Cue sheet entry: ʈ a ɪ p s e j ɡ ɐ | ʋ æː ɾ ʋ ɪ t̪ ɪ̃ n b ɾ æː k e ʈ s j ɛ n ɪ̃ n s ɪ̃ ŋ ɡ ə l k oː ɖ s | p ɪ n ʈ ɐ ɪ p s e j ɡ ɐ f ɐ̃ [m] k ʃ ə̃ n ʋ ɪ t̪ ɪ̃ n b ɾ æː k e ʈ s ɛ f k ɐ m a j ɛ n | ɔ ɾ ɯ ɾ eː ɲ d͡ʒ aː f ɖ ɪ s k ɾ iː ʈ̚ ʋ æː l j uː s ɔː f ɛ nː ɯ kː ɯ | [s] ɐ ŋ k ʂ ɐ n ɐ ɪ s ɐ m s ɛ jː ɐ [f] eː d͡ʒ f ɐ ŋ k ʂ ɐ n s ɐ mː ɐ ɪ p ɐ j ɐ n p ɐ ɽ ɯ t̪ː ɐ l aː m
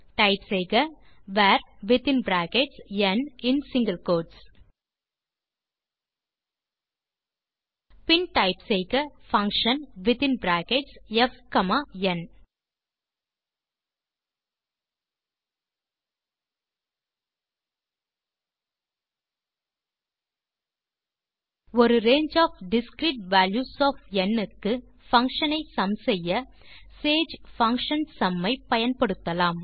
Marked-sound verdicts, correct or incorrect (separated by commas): incorrect, incorrect, incorrect